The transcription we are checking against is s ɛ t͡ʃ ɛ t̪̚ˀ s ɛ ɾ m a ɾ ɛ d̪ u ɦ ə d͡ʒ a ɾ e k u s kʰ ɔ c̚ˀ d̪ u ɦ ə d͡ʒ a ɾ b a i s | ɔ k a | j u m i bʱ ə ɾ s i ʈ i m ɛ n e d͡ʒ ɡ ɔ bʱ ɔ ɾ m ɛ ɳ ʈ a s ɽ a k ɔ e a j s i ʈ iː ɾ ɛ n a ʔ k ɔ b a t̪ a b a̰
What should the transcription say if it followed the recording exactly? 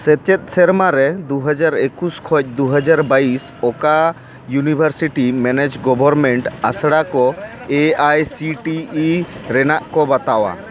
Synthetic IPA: s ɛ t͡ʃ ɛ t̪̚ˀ s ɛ ɾ m a ɾ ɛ d̪ u ɦ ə d͡ʒ a ɾ e k u s kʰ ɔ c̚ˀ d̪ u ɦ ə d͡ʒ a ɾ b a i s | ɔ k a | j u n i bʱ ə ɾ s i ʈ i m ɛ n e d͡ʒ ɡ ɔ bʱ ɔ ɾ m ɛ ɳ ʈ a s ɽ a k ɔ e a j s i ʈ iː ɾ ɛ n a ʔ k ɔ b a t̪ a w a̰